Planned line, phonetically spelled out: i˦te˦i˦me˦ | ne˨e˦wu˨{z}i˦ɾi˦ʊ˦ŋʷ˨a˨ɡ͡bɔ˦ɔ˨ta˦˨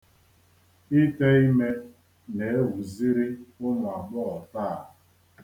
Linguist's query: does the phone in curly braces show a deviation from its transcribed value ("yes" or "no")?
no